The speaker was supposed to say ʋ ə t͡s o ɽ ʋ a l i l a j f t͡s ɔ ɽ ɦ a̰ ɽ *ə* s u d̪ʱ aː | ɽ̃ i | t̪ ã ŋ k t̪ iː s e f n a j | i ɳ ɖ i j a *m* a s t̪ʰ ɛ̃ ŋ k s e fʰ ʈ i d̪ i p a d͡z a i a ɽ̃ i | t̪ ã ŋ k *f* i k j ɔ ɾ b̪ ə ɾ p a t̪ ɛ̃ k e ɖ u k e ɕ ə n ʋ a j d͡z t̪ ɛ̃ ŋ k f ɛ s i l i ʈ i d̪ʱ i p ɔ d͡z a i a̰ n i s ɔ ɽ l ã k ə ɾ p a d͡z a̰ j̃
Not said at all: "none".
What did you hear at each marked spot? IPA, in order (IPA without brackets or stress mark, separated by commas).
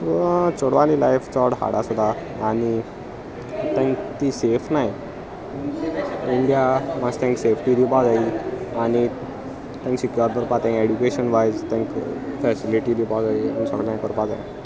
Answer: a, m, s